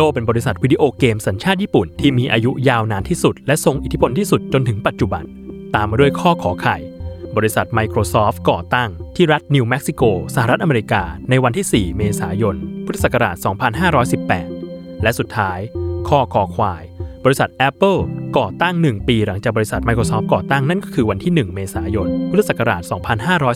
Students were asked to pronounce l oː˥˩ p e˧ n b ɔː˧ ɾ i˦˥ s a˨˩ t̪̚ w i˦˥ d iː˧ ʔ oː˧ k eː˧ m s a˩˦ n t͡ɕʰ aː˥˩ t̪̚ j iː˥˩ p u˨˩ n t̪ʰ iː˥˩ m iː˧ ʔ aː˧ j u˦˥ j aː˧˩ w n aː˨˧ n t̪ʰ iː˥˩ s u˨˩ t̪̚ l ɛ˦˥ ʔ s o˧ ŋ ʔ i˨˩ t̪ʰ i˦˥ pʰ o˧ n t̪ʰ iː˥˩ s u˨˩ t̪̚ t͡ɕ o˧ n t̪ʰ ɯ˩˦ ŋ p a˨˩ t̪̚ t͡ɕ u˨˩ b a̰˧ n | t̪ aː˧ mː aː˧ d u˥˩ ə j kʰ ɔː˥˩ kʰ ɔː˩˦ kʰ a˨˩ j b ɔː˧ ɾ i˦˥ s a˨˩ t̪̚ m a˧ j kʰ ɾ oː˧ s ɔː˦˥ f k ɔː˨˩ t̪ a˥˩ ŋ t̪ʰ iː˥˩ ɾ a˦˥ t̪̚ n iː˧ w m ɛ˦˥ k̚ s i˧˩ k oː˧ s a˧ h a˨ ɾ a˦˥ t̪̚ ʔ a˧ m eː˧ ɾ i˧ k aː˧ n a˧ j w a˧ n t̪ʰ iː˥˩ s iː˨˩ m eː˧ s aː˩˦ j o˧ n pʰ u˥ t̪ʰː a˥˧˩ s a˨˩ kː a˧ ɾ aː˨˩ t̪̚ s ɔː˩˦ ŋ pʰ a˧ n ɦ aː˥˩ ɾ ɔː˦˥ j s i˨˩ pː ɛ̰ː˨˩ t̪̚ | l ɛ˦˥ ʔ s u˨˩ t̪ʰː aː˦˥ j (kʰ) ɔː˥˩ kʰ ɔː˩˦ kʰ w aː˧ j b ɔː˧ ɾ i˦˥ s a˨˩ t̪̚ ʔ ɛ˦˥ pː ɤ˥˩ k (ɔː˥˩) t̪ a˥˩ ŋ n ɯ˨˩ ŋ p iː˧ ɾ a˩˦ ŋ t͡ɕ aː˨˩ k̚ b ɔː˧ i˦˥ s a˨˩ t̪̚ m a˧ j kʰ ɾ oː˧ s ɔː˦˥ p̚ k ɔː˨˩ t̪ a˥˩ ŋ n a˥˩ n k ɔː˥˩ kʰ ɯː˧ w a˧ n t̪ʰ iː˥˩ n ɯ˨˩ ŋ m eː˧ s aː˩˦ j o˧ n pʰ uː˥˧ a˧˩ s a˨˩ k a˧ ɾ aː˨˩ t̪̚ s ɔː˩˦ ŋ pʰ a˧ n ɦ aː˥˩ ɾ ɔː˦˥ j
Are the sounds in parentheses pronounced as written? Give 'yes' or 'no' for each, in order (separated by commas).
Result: yes, no